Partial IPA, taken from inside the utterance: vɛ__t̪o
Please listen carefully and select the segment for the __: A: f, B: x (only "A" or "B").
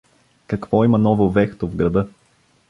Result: B